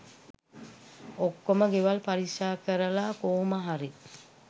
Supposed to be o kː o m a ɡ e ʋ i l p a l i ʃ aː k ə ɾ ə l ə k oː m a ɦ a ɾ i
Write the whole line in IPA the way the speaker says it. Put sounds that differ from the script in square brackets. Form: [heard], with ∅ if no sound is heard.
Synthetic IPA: o kː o m [ə] ɡ e ʋ [a] l p a [ɾ] i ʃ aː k ə ɾ ə l [a] k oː m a ɦ a ɾ i